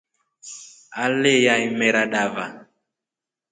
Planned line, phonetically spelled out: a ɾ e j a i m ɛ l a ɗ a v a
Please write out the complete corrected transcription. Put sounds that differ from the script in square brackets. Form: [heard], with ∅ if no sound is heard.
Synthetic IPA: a [l] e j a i m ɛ [ɾ] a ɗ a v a